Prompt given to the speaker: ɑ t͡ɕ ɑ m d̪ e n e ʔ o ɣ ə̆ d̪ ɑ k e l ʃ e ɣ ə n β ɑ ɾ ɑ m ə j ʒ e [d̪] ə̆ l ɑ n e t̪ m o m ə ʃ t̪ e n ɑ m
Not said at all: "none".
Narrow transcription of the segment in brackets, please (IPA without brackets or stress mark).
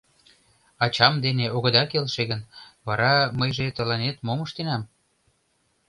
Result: t̪